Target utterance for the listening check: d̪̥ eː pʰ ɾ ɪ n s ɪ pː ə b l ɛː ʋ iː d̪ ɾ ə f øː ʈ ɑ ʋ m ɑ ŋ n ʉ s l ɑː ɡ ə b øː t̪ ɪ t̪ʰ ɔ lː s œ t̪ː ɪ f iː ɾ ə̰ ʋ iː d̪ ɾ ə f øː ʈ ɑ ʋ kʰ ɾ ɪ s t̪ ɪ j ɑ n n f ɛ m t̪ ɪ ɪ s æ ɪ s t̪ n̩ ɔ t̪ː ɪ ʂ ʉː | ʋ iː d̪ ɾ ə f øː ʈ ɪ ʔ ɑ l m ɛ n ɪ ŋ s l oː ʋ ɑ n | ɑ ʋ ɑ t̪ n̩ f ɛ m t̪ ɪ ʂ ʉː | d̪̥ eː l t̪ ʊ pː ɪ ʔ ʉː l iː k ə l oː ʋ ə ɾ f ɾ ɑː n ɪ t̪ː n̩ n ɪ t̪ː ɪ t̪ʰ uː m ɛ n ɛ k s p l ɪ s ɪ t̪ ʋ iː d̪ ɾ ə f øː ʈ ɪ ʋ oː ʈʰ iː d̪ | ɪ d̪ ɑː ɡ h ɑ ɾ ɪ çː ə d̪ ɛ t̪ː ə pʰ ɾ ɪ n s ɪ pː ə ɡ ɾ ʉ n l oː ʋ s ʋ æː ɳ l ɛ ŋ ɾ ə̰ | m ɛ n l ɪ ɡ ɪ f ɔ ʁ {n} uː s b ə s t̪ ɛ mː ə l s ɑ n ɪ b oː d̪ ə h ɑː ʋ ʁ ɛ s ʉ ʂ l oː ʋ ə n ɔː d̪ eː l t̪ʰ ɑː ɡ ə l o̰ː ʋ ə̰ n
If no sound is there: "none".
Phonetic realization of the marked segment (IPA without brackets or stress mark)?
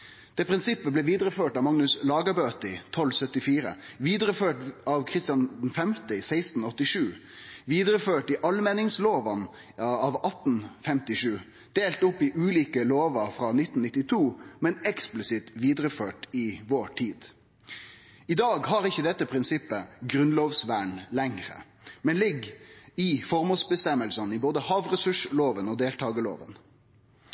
m